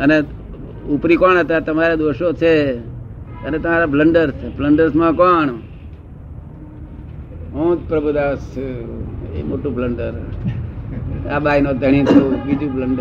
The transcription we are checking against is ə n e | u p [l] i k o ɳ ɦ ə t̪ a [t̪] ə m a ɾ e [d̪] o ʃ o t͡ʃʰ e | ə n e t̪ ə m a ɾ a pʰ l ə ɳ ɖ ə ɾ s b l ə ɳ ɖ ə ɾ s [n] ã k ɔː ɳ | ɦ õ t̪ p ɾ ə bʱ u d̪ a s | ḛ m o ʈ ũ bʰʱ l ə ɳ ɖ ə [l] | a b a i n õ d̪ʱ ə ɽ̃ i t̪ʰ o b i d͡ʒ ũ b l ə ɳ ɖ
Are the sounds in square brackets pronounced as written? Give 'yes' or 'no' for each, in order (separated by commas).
no, yes, yes, no, no